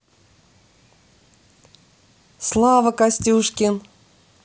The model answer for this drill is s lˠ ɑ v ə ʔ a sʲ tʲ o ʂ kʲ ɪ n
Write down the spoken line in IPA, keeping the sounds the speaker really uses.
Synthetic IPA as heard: s lˠ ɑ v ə k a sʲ tʲ u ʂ kʲ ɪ n